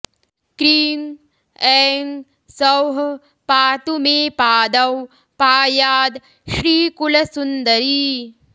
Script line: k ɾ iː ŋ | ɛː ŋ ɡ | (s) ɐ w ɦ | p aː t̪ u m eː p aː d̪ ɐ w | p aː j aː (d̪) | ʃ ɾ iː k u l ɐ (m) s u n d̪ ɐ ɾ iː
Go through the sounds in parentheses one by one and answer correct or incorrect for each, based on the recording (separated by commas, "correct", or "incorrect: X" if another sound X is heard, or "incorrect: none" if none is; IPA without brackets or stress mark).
correct, correct, incorrect: none